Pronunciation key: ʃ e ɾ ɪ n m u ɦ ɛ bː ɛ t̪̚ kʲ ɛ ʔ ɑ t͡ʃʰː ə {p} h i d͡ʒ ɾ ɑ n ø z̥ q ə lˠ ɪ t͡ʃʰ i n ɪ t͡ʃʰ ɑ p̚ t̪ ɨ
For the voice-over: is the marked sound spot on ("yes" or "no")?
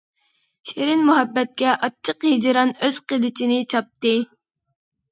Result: no